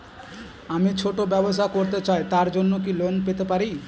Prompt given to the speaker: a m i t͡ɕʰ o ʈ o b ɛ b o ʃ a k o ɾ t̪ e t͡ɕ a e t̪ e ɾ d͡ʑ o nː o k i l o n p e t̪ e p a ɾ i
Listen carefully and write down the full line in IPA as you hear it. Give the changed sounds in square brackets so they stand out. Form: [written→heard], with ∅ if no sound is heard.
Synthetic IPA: a m i t͡ɕʰ o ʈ o b ɛ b o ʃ a k o ɾ t̪ e t͡ɕ a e t̪ [e→a] ɾ d͡ʑ o nː o k i l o n p e t̪ e p a ɾ i